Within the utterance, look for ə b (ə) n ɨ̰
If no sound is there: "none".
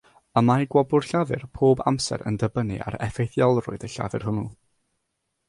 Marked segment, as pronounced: ə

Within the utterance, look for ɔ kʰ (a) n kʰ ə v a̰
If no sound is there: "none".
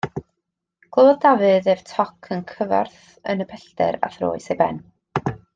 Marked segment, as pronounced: ə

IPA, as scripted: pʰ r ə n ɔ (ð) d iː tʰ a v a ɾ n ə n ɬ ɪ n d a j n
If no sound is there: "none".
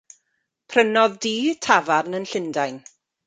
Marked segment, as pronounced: ð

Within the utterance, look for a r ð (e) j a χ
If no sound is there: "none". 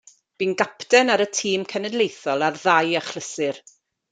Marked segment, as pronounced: a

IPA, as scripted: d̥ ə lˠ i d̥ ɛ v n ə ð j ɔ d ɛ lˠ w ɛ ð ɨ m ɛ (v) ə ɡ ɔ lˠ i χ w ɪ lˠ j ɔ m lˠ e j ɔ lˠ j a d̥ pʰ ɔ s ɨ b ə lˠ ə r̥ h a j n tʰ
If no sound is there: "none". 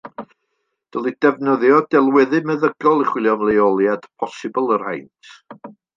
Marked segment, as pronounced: ð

